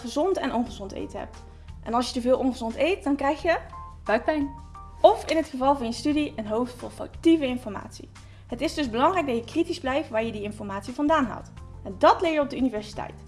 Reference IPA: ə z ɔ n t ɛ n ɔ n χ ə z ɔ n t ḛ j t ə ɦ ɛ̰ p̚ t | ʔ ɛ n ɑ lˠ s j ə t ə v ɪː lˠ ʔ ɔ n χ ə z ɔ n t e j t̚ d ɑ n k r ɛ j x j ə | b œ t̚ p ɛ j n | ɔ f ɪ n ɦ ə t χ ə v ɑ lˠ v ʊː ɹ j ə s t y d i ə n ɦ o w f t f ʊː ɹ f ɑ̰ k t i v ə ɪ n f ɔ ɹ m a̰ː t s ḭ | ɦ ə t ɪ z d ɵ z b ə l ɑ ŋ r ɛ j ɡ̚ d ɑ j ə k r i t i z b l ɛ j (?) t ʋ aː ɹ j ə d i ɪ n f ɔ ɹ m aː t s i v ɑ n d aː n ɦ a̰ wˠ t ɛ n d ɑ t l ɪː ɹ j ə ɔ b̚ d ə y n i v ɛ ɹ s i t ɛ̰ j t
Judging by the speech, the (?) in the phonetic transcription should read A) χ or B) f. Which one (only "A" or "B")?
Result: B